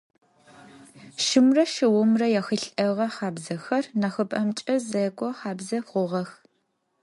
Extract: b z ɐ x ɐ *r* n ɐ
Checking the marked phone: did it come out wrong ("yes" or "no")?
no